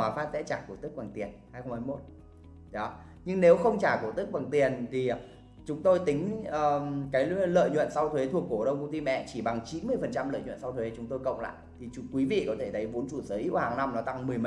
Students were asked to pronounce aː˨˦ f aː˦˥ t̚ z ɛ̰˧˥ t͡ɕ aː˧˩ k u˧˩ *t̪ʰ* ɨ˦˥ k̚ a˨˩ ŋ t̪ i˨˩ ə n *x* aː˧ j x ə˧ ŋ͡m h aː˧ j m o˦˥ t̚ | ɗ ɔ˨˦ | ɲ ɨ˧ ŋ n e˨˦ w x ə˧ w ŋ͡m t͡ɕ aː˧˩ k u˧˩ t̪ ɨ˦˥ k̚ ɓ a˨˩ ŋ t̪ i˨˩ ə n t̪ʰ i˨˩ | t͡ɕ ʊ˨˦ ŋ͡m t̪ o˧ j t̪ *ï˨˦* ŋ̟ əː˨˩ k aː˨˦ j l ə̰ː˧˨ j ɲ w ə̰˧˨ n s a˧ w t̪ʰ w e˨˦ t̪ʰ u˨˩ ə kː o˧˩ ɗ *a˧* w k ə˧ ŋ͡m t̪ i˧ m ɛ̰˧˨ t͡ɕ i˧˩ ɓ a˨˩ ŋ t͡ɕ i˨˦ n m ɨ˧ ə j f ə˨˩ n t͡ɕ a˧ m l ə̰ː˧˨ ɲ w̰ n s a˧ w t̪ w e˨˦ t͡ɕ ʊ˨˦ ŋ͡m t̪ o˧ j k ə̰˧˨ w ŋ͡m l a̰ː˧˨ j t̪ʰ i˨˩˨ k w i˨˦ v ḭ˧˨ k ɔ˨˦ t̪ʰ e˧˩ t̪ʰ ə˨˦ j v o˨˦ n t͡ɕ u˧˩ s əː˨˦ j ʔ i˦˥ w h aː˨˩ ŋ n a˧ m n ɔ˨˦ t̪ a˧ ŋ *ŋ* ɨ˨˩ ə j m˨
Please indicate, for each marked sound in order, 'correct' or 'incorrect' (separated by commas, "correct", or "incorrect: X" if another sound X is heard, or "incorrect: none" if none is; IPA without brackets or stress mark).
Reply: incorrect: t̪, incorrect: h, correct, incorrect: ə˧, incorrect: m